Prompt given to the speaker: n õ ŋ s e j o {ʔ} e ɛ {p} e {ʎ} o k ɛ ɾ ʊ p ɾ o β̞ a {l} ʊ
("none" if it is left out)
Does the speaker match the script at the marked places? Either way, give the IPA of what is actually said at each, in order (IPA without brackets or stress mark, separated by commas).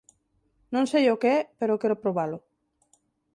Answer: k, p, ɾ, l